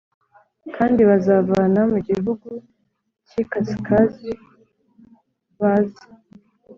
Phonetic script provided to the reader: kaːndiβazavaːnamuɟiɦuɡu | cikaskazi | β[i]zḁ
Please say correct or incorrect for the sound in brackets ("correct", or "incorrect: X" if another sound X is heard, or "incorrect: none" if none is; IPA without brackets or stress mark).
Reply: incorrect: a